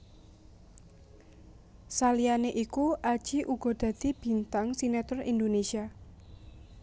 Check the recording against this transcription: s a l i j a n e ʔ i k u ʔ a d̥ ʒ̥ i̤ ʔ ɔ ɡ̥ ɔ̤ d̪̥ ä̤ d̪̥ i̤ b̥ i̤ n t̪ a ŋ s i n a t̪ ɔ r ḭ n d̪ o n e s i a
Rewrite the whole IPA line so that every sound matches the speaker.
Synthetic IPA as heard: s a l i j a n e ʔ i k u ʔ a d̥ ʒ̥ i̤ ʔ u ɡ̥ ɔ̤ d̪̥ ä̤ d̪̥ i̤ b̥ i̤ n t̪ a ŋ s i n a t̪ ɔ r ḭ n d̪ o n e s i a